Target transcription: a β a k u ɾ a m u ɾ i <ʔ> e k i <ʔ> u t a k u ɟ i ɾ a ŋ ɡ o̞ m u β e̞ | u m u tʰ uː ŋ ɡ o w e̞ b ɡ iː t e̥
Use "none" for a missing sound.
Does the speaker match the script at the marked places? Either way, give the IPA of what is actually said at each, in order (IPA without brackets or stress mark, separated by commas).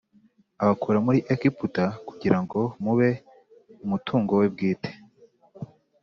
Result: ʔ, p